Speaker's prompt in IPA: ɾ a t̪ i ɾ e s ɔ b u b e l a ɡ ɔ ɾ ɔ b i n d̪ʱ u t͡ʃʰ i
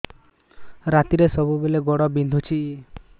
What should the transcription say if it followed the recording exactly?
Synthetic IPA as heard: ɾ a t̪ i ɾ e s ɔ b u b e l e ɡ ɔ ɽ ɔ b i n d̪ʱ u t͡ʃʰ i